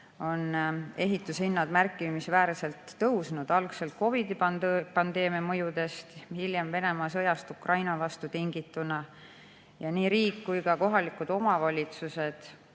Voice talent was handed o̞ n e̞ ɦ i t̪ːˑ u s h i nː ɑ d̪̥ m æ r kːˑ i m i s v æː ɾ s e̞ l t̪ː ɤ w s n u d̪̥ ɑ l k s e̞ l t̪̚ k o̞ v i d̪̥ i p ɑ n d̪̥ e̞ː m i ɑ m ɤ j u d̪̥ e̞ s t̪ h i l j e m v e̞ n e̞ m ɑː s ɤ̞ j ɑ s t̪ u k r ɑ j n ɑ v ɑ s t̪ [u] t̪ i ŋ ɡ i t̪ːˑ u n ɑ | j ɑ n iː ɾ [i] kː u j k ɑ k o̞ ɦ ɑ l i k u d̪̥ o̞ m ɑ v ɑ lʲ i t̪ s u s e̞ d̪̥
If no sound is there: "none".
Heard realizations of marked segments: u, iː

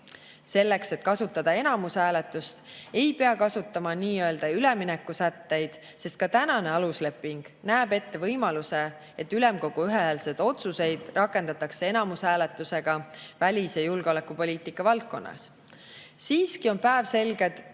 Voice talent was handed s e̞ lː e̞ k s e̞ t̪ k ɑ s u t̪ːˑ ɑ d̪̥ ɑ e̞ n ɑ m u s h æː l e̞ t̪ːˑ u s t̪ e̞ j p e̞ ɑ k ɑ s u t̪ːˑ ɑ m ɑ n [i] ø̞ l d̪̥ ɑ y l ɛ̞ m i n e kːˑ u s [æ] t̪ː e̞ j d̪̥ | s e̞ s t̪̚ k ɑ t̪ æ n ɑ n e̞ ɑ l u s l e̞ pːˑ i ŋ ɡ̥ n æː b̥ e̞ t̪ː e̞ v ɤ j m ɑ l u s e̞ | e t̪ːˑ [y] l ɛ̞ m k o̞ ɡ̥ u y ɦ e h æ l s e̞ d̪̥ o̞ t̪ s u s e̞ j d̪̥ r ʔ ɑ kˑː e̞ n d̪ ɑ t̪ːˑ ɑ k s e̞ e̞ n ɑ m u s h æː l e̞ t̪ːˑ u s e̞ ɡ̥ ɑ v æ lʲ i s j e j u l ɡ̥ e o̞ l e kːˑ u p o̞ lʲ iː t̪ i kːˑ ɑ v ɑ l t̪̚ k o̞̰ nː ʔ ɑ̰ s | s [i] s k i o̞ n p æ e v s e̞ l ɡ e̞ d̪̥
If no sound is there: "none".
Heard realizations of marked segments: iː, æ, y, iː

